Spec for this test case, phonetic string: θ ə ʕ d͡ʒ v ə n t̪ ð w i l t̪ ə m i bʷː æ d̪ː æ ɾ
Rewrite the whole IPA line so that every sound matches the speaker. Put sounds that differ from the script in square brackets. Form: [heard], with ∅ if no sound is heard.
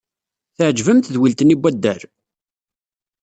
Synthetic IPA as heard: θ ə ʕ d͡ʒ v ə [m] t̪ ð w i l t̪ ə [n] i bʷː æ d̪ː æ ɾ